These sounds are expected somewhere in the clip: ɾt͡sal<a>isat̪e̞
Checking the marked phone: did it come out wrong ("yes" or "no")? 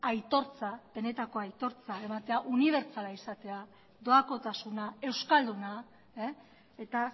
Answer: no